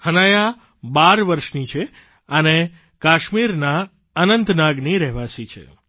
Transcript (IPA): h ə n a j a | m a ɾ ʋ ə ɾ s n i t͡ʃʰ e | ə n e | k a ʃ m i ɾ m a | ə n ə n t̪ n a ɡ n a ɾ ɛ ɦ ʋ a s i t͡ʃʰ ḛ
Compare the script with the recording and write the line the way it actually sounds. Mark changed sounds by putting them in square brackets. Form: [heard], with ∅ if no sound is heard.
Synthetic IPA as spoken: h ə n a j a | [b] a ɾ ʋ ə ɾ [ʃ] n i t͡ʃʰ e | ə n e | k a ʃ m i ɾ [n] a | ə n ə n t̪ n a ɡ n [i] ɾ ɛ ɦ ʋ a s i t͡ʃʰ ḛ